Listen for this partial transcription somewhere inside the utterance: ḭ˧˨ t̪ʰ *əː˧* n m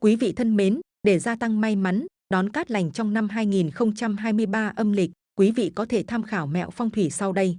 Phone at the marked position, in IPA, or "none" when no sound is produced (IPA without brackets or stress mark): ə˧